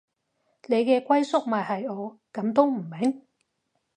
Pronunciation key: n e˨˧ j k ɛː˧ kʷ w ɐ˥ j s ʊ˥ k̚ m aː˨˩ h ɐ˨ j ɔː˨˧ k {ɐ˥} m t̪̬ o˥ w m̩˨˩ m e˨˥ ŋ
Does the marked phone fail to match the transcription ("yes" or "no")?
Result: yes